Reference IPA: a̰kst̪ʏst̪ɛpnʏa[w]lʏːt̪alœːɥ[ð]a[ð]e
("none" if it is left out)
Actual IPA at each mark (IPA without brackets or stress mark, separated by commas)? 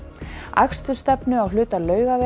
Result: w, ɣ, v